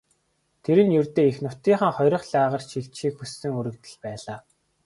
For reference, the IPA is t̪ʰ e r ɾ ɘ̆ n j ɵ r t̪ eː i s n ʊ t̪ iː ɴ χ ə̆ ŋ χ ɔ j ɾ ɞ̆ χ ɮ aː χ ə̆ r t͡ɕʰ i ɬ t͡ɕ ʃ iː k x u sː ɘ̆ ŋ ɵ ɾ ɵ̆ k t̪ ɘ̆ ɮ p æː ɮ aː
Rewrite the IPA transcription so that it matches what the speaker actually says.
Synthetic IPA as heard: t̪ʰ e ɾ ɘ̆ n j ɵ r t̪ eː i x n ʊ t̪ iː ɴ χ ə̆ ŋ χ ɔ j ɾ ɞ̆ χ ɮ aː ʁ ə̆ r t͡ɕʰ i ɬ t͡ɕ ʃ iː k x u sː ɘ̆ ŋ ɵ ɾ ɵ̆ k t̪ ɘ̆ ɮ p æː ɮ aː